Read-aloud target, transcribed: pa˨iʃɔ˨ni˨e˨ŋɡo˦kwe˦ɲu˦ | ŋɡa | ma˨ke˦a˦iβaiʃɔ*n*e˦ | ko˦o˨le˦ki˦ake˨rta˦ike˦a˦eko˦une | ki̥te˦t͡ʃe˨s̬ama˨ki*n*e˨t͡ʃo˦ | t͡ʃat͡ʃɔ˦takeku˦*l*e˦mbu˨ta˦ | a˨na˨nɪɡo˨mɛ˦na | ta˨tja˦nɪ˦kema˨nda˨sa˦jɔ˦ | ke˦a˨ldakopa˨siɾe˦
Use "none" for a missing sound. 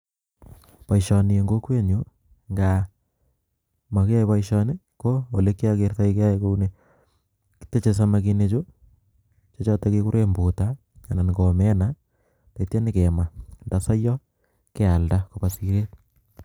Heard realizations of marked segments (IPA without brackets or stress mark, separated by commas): n, n, ɾ